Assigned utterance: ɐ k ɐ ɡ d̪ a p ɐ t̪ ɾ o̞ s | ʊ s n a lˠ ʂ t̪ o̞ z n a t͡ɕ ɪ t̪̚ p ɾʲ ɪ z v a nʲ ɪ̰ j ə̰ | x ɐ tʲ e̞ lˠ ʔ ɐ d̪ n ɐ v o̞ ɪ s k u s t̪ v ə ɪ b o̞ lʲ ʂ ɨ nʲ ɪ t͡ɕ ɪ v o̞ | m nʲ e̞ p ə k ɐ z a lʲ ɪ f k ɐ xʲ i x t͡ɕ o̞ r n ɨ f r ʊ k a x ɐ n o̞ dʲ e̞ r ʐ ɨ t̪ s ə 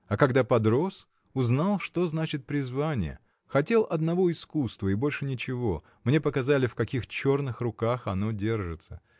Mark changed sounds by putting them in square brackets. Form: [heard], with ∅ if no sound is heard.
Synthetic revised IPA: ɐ k ɐ ɡ d̪ a p ɐ [d̪] ɾ o̞ s | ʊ [z] n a lˠ ʂ t̪ o̞ z n a t͡ɕ ɪ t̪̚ p ɾʲ ɪ z v a nʲ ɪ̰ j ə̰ | x ɐ tʲ e̞ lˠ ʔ ɐ d̪ n ɐ v o̞ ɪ s k u s t̪ v ə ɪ b o̞ lʲ ʂ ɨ nʲ ɪ t͡ɕ ɪ v o̞ | m nʲ e̞ p ə k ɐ z a lʲ ɪ f k ɐ [kʲ] i x t͡ɕ o̞ r n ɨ [x] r ʊ k a x ɐ n o̞ dʲ e̞ r ʐ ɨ t̪ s ə